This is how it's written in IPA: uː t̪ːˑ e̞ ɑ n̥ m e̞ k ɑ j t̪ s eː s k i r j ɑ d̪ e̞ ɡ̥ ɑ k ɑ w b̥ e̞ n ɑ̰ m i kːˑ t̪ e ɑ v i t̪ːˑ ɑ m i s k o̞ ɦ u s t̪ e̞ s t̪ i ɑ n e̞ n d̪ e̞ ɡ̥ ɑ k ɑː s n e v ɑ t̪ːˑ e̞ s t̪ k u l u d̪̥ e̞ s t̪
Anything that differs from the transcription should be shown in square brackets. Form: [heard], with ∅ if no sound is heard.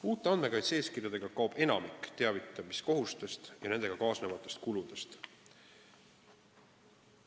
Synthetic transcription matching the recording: uː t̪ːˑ e̞ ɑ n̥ m e̞ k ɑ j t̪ s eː s k i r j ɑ d̪ e̞ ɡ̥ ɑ k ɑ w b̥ e̞ n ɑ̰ m i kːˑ t̪ e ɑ v i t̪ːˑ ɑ m i s k o̞ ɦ u s t̪ e̞ s t̪ [j] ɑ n e̞ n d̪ e̞ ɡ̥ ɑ k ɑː s n e v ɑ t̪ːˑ e̞ s t̪ k u l u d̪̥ e̞ s t̪